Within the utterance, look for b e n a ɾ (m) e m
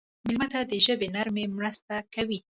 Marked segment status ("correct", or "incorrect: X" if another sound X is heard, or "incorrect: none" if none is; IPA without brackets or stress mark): correct